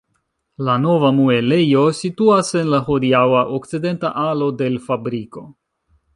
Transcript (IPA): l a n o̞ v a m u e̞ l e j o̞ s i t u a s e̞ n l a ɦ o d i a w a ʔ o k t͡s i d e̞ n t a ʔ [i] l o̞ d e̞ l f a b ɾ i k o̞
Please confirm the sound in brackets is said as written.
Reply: no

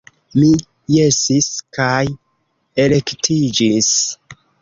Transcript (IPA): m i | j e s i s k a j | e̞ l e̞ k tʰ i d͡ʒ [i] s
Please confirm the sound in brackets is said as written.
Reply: yes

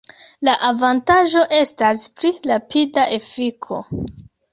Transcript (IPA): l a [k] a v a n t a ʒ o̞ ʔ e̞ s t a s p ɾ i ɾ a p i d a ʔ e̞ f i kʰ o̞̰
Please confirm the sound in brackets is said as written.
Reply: no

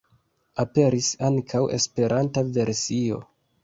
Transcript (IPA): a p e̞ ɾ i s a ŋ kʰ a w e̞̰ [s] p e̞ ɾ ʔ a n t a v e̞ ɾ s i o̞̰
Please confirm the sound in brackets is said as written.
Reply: yes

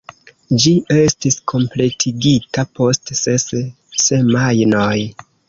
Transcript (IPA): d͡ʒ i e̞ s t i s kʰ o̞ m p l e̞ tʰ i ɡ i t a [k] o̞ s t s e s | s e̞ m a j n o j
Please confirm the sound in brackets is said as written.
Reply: no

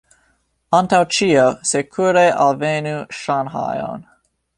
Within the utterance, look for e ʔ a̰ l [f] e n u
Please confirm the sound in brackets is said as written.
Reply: no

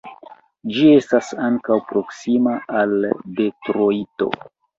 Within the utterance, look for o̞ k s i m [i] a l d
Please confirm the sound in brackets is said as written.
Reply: no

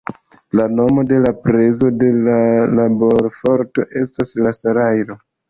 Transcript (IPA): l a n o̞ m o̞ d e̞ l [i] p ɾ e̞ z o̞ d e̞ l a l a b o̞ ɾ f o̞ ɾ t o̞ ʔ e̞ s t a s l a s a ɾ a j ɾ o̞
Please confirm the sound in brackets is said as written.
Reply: no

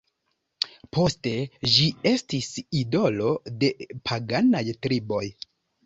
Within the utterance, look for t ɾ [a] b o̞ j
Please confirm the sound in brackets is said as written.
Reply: no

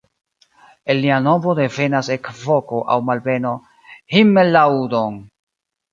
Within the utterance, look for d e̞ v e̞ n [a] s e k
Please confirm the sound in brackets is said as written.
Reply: yes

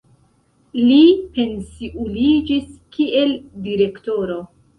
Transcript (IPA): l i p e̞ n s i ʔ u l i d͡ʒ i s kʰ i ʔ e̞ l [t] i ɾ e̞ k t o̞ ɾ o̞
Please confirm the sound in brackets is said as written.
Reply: no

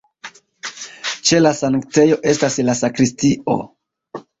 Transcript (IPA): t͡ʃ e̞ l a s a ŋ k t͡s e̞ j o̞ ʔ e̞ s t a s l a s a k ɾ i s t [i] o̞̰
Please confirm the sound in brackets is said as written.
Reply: yes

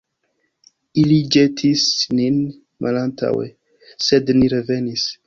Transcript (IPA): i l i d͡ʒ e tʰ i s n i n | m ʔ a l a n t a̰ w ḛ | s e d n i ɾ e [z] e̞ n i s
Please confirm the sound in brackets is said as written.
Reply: no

